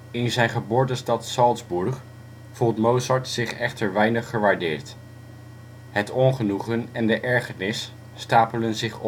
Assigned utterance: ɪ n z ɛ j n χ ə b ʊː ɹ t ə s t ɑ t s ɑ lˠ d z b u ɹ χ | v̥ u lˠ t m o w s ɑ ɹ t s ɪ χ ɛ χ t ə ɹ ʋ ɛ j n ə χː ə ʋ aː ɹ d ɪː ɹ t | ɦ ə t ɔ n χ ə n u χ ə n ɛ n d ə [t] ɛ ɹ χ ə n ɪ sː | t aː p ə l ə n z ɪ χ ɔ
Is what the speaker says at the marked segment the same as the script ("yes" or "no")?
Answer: no